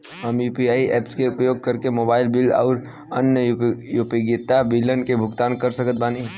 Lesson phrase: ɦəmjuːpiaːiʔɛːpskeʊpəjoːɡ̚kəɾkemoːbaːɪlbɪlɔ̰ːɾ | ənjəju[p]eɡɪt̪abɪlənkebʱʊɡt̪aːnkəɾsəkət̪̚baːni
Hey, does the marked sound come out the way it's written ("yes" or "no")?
yes